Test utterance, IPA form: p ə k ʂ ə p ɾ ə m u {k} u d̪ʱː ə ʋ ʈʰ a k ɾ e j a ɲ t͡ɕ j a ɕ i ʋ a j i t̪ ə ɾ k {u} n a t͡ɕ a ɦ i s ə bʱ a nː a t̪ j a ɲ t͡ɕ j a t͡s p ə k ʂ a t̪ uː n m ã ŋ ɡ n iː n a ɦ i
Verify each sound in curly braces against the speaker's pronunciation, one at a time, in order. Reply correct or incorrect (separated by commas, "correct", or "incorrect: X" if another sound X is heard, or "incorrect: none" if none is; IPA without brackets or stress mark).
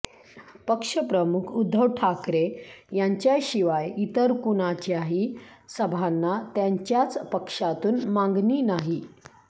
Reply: incorrect: kʰ, correct